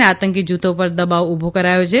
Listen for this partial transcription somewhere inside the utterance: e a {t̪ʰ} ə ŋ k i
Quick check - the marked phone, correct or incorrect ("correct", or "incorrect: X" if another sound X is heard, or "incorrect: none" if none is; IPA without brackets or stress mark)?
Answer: incorrect: t̪